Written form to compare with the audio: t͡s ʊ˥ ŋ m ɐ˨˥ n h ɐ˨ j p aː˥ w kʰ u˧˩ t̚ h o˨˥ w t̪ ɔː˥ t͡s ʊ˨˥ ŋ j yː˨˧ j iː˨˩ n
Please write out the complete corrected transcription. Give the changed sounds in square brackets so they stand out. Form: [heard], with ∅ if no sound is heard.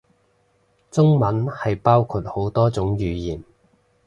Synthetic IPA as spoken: t͡s ʊ˥ ŋ m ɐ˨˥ n h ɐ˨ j p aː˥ w kʰ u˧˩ t̚ h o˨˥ w t̪ ɔː˥ t͡s ʊ˨˥ ŋ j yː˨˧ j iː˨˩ n